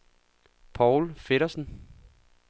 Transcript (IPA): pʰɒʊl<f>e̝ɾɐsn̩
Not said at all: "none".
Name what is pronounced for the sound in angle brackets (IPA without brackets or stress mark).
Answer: f